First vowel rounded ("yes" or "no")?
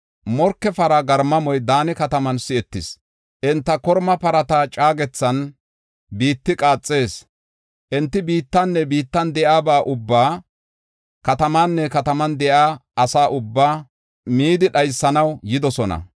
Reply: yes